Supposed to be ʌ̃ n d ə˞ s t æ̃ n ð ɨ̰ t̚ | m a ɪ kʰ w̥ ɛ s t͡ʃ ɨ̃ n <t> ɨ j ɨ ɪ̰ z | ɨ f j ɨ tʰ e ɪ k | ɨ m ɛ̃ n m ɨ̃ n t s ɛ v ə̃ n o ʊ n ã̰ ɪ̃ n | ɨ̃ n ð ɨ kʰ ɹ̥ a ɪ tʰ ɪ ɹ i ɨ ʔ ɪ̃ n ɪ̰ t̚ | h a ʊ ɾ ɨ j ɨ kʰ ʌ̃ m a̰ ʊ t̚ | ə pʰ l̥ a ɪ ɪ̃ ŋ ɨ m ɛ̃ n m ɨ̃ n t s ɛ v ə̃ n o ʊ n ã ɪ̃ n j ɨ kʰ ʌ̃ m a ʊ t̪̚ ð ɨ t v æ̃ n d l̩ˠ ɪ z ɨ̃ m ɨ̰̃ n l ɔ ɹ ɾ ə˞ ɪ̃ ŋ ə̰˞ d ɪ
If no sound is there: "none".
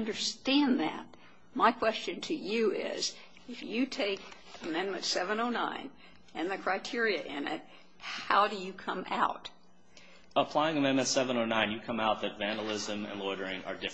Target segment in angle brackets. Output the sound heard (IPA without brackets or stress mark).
tʰ